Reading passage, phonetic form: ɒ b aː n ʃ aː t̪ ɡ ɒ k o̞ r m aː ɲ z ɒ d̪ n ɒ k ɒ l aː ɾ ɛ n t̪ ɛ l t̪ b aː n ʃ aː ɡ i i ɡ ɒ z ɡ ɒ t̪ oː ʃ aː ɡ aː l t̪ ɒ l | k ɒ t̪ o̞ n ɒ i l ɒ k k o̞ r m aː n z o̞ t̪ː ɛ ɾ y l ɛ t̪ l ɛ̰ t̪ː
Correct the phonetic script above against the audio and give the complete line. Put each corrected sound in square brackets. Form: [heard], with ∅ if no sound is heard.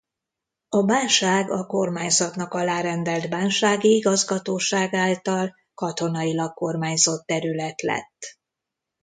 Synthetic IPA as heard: ɒ b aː n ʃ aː [∅] ɡ ɒ k o̞ r m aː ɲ z ɒ [t̪] n ɒ k ɒ l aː ɾ ɛ n [d̪] ɛ l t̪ b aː n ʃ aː ɡ i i ɡ ɒ z ɡ ɒ t̪ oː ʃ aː ɡ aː l t̪ ɒ l | k ɒ t̪ o̞ n ɒ i l ɒ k k o̞ r m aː [ɲ] z o̞ t̪ː ɛ ɾ y l ɛ t̪ l ɛ̰ t̪ː